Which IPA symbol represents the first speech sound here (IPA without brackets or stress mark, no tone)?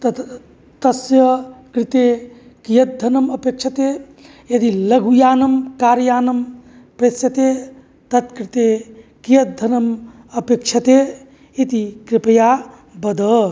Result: t̪